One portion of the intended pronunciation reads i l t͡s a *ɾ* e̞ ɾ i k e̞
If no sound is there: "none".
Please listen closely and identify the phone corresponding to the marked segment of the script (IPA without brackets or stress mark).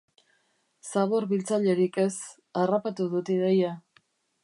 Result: ʎ